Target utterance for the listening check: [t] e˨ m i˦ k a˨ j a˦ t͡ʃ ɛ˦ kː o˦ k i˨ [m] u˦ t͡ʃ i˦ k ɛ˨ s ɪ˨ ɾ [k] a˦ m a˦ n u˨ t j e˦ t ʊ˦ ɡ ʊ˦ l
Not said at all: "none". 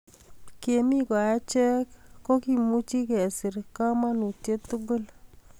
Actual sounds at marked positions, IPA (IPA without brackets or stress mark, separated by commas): k, m, k